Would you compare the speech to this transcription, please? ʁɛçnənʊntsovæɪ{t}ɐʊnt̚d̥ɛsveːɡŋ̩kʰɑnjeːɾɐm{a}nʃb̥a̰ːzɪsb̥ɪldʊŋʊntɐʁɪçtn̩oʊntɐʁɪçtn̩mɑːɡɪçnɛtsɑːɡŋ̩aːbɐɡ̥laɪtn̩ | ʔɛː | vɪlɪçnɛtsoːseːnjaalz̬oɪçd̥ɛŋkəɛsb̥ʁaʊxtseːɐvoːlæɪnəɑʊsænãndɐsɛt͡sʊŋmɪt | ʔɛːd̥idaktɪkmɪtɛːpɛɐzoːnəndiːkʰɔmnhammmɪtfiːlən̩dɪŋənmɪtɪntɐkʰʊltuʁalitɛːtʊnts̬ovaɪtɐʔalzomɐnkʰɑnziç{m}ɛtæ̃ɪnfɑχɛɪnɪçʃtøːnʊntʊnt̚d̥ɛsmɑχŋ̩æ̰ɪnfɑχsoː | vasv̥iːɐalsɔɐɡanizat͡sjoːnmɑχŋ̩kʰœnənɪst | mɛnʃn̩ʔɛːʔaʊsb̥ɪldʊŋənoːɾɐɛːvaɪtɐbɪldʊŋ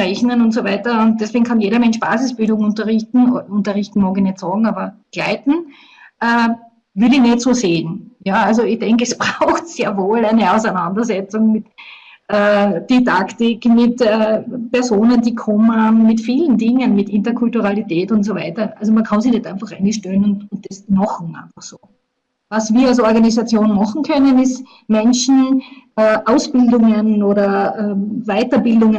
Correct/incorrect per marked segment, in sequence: correct, incorrect: ɛ, incorrect: n

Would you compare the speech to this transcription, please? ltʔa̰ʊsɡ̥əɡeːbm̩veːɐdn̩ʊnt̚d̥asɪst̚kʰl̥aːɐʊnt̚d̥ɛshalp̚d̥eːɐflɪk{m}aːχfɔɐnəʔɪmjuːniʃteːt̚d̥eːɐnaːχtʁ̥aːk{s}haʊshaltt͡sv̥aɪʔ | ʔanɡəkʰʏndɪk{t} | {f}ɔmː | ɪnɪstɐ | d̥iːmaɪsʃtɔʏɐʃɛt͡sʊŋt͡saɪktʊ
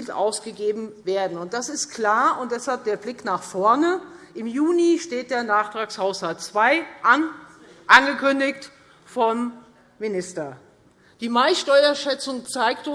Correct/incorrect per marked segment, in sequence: incorrect: n, correct, correct, correct

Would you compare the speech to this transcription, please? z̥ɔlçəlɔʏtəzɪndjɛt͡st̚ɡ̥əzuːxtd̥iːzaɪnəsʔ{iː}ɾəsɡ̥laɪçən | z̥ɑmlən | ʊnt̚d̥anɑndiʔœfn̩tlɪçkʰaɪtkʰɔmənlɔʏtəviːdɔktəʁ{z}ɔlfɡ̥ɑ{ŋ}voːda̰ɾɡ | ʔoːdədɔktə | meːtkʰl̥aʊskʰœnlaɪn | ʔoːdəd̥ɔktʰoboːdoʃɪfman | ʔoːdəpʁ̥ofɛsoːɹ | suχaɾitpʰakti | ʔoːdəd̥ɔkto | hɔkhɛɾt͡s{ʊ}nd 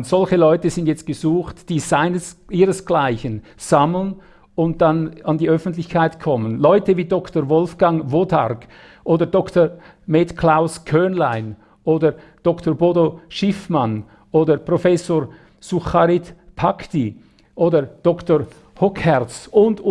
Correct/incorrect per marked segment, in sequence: correct, incorrect: v, correct, correct

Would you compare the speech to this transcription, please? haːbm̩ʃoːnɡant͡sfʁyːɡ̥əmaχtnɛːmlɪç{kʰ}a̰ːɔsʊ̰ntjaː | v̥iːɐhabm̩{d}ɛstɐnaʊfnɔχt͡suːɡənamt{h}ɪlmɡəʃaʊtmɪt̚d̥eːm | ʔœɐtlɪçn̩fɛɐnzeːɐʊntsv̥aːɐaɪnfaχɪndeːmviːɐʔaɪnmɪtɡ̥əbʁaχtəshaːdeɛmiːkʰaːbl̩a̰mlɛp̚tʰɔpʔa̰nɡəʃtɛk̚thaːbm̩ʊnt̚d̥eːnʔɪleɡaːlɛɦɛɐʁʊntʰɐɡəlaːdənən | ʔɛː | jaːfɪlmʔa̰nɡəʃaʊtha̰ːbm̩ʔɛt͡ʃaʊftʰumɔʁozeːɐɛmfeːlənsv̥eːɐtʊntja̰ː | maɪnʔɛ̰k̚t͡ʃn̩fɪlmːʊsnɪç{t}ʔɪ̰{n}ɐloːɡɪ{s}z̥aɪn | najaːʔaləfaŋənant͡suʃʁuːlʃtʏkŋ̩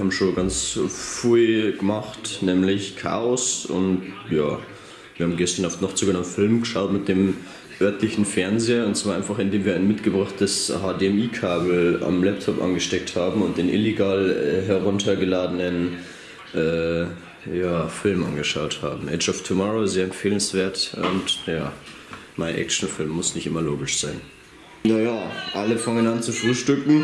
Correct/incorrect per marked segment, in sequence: correct, incorrect: ɡ, incorrect: f, correct, incorrect: m, incorrect: ʃ

